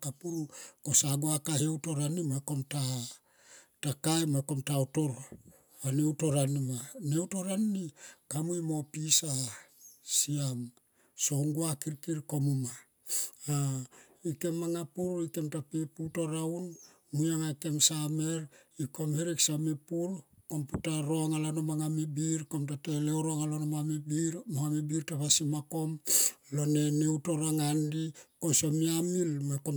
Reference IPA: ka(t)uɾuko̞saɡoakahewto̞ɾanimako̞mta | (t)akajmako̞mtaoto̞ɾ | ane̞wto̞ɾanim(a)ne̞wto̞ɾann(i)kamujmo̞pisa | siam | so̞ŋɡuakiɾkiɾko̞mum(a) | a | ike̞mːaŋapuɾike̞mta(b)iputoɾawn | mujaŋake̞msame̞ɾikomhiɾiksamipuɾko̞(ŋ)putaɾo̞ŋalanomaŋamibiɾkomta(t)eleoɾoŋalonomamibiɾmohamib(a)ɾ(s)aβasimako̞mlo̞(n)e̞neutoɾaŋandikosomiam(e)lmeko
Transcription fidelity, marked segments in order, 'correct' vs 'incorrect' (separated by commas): incorrect, correct, correct, correct, correct, incorrect, incorrect, correct, incorrect, incorrect, correct, incorrect